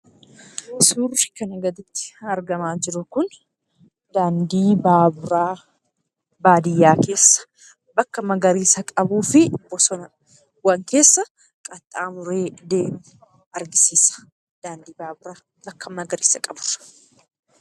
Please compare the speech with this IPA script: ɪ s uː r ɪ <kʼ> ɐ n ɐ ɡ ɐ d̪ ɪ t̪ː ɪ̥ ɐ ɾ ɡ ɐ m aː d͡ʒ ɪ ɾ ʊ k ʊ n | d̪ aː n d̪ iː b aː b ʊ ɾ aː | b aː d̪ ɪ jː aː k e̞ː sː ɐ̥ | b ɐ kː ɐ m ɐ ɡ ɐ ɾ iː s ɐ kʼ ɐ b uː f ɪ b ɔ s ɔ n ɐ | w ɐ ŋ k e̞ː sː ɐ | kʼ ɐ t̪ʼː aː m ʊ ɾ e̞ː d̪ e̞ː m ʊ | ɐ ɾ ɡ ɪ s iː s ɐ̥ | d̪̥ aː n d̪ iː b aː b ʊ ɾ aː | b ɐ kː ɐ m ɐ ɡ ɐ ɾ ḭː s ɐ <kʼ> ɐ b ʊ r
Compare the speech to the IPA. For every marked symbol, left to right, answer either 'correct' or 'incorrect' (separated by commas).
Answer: incorrect, correct